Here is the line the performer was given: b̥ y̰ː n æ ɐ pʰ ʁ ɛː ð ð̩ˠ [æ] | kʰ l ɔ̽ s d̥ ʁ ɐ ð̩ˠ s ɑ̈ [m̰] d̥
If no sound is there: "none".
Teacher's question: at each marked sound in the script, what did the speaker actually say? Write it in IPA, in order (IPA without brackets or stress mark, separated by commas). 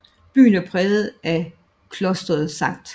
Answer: æ, ŋ̰